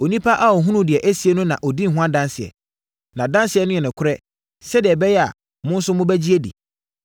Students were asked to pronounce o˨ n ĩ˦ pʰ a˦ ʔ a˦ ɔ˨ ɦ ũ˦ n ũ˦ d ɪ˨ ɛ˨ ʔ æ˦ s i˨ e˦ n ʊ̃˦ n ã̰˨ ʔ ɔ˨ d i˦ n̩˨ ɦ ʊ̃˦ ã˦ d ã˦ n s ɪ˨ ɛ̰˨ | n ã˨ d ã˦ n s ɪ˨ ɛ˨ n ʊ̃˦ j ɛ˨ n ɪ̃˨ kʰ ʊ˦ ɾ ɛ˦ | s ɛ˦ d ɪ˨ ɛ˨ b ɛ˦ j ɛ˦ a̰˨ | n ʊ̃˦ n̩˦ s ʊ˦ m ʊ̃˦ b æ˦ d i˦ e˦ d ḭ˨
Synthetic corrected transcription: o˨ n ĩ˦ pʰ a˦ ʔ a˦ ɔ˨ ɦ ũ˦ n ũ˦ d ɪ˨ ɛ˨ ʔ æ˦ s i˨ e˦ n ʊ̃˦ n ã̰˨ ʔ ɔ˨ d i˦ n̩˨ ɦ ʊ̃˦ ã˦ d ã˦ n s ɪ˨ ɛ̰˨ | n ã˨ d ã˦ n s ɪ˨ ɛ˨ n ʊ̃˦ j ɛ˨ n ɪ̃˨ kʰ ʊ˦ ɾ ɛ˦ | s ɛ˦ d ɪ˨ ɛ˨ b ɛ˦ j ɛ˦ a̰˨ | m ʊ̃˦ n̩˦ s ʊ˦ m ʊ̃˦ b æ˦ d͡ʑ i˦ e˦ d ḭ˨